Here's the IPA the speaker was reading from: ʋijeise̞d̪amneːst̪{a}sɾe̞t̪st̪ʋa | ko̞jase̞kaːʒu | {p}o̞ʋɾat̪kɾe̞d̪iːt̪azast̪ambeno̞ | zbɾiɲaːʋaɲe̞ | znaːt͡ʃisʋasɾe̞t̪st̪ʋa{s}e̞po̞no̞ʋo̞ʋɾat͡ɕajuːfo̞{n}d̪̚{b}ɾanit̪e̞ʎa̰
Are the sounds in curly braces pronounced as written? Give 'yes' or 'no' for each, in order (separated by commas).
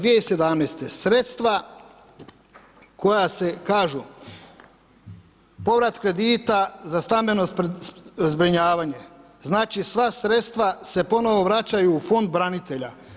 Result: no, yes, yes, yes, yes